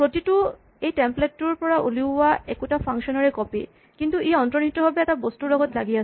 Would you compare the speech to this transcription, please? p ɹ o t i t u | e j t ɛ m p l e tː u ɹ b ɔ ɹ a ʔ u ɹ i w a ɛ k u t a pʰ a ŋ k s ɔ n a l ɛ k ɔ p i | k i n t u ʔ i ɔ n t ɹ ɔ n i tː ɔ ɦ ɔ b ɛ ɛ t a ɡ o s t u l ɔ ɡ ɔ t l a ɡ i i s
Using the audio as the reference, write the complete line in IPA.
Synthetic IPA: p ɹ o t i t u | e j t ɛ m p l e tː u ɹ p ɔ ɹ a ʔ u l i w a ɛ k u t a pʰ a ŋ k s ɔ n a ɹ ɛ k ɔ p i | k i n t u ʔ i ɔ n t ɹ ɔ n i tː ɔ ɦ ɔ b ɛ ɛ t a b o s t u l ɔ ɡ ɔ t l a ɡ i a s